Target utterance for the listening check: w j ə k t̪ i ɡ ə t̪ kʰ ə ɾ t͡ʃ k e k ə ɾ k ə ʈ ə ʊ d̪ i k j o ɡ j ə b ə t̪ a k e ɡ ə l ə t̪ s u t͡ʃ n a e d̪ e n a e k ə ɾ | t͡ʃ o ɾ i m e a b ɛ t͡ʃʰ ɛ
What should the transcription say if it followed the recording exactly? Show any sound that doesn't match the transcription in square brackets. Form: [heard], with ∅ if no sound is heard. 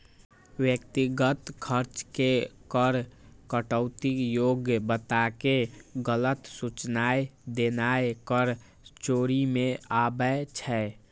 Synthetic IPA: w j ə k t̪ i ɡ ə t̪ kʰ ə ɾ t͡ʃ k e k ə ɾ k ə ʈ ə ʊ [t̪] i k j o ɡ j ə b ə t̪ a k e ɡ ə l ə t̪ s u t͡ʃ n a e d̪ e n a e k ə ɾ | t͡ʃ o ɾ i m e a b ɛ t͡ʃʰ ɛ